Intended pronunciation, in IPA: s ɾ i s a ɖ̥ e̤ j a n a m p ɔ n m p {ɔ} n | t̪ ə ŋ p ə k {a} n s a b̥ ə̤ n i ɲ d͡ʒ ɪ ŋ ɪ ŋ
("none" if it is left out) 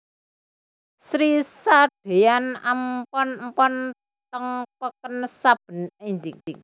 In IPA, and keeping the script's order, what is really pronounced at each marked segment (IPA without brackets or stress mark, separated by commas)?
ɔ, ə